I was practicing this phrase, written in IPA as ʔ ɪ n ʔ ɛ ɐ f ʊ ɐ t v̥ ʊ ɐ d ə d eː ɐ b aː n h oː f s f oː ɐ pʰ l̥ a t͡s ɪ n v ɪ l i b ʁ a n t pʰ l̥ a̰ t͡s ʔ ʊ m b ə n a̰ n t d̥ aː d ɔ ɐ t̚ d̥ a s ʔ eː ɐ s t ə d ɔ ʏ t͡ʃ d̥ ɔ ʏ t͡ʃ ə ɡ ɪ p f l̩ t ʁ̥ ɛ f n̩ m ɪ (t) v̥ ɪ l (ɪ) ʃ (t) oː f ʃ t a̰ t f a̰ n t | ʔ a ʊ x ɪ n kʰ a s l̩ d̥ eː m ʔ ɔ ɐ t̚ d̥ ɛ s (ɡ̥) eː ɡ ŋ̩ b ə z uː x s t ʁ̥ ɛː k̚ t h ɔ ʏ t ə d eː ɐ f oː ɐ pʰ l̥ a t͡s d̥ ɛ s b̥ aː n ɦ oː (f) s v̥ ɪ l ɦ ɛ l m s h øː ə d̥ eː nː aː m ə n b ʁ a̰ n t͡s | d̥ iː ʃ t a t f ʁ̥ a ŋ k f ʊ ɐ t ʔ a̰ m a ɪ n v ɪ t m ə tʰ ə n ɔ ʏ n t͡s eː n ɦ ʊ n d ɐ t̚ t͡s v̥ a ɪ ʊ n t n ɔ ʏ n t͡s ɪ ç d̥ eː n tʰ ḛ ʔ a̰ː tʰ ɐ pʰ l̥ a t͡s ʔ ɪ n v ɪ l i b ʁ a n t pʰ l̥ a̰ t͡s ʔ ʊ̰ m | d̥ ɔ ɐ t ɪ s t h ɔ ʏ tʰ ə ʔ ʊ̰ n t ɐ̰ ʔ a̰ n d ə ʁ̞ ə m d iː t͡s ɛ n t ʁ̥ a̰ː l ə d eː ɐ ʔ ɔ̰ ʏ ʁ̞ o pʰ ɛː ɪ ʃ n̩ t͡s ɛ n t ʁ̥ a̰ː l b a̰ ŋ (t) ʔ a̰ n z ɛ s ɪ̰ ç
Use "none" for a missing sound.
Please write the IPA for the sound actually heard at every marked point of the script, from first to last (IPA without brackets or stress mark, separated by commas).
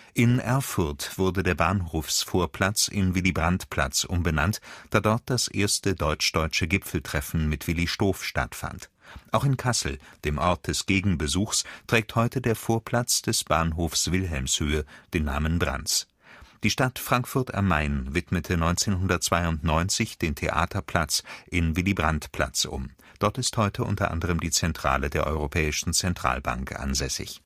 t, i, t, ɡ̥, f, k